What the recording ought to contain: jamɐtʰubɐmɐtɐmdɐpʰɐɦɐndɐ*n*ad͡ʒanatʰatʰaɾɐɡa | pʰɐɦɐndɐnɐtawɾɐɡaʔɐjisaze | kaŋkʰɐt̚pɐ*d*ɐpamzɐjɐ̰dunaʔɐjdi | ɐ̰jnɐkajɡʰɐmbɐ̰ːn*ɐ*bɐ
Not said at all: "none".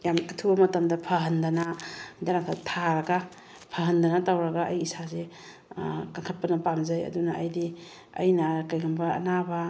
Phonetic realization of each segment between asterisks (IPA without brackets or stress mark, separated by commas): n, n, a